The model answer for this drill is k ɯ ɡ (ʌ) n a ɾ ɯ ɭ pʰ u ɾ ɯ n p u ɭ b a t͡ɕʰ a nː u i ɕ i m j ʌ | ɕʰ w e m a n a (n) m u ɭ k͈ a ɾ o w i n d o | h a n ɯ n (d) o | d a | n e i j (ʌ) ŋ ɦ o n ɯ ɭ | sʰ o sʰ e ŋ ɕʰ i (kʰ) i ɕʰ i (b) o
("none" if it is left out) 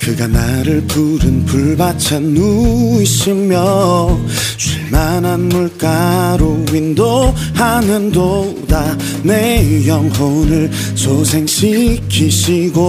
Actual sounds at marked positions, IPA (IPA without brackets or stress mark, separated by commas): a, n, d, ʌ, kʰ, ɡ